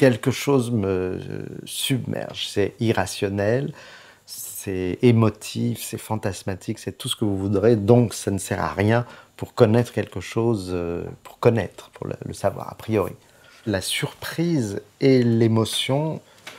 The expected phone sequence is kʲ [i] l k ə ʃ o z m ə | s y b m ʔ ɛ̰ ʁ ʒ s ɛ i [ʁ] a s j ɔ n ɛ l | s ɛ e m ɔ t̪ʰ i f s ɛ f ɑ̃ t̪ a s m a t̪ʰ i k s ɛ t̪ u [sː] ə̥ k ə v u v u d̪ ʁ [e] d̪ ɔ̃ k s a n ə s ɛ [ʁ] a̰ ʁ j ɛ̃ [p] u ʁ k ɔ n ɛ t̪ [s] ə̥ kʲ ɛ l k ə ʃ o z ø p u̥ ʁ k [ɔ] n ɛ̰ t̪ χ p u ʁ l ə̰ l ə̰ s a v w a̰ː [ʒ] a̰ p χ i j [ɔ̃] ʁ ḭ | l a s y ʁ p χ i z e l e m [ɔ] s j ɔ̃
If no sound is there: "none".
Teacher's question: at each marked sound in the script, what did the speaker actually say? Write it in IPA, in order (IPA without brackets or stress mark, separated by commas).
ɛ, ʁ, s, e, ʁ, p, χ, ɔ, ʁ, ɔ, ɔ